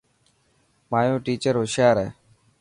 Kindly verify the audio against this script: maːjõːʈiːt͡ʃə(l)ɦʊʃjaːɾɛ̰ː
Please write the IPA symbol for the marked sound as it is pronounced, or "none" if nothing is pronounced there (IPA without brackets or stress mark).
ɾ